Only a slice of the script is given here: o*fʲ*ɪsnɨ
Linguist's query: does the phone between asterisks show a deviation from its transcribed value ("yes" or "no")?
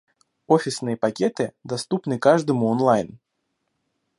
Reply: no